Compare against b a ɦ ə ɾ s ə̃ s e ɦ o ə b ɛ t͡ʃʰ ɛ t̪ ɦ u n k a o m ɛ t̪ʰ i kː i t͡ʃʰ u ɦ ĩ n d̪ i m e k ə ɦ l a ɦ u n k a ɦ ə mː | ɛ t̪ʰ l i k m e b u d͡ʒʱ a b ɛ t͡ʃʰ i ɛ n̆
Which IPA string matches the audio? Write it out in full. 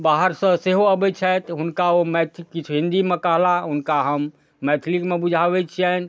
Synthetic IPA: b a ɦ ə ɾ s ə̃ s e ɦ o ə b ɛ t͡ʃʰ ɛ t̪ ɦ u n k a o m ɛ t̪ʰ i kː i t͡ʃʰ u ɦ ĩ n d̪ i m e k ə ɦ l a ɦ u n k a ɦ ə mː | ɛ t̪ʰ l i k m e b u d͡ʒʱ a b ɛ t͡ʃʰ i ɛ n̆